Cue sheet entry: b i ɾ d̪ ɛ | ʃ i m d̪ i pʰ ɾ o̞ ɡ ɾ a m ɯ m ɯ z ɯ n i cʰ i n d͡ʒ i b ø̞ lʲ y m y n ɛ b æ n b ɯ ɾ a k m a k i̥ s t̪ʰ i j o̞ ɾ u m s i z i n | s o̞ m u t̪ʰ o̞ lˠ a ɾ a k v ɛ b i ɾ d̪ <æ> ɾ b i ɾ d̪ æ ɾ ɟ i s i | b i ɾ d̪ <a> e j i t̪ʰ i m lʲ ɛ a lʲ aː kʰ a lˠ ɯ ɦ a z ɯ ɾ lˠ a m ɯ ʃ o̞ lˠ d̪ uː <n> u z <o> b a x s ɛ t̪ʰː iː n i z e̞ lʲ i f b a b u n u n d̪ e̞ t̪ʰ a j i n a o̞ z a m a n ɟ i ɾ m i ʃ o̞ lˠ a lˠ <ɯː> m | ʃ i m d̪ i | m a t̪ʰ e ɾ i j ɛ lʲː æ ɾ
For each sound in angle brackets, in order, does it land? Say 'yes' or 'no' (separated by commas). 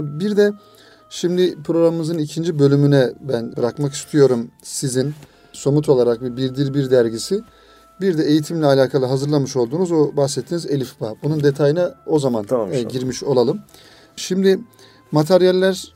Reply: no, no, yes, yes, no